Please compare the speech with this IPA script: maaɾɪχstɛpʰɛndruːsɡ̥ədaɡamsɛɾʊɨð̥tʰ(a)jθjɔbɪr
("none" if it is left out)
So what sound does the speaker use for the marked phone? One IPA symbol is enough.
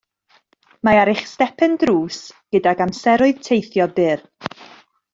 e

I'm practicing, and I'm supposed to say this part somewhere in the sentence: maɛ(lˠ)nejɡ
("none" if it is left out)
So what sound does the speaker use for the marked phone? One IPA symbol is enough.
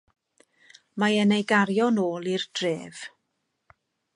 none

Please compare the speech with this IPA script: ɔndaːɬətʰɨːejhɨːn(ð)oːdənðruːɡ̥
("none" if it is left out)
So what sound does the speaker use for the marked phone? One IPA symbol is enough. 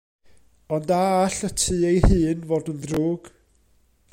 v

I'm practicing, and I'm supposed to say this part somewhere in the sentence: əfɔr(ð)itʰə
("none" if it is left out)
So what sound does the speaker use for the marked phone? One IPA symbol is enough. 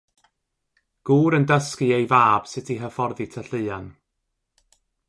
ð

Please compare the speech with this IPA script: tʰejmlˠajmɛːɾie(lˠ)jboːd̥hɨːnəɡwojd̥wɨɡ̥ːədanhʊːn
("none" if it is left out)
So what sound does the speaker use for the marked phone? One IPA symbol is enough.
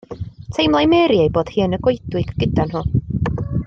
none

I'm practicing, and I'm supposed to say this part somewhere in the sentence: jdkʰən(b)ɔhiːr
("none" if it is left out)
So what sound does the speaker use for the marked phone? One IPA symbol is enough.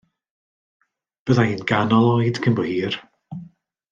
b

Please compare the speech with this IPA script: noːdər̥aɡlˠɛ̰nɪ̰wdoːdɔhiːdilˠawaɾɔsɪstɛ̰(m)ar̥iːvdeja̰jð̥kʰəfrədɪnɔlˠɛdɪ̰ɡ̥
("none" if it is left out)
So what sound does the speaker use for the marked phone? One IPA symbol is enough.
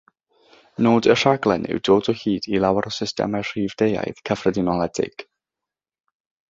m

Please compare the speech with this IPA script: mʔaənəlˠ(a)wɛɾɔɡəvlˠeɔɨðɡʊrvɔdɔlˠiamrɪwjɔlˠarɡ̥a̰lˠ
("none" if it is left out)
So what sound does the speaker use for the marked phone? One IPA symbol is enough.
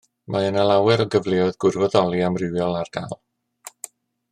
a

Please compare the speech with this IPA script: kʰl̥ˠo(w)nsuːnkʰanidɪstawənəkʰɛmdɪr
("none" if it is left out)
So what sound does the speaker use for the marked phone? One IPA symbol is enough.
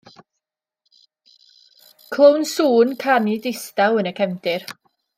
w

